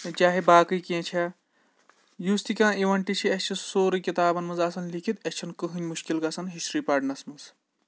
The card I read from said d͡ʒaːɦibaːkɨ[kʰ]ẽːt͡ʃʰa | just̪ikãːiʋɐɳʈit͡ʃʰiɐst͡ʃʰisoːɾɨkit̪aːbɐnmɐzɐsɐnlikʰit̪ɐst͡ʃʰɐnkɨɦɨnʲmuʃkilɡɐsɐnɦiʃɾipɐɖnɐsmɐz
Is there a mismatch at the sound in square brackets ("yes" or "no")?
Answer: yes